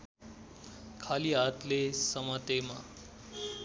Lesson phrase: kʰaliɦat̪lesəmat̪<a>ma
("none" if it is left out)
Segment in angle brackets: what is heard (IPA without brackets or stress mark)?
e